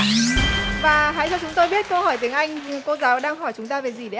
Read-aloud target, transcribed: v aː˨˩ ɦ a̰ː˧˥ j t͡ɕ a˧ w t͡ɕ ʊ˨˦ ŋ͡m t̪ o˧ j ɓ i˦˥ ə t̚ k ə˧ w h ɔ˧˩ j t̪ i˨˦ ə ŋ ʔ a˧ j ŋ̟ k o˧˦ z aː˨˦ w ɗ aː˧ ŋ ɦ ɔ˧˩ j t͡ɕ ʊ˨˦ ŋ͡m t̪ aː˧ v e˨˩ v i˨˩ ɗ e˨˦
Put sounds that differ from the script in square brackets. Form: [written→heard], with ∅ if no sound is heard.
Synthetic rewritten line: v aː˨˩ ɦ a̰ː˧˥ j t͡ɕ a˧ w t͡ɕ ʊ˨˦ ŋ͡m t̪ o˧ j ɓ i˦˥ ə t̚ k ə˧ w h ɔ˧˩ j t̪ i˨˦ ə ŋ ʔ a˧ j ŋ̟ k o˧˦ z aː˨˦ w ɗ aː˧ ŋ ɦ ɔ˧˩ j t͡ɕ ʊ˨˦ ŋ͡m t̪ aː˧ v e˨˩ [v→z] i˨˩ ɗ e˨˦